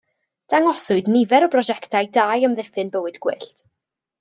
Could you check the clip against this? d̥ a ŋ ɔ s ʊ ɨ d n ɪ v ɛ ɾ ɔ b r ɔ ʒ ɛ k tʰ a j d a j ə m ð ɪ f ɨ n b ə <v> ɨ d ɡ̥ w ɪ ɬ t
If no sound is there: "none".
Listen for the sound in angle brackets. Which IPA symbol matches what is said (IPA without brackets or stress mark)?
w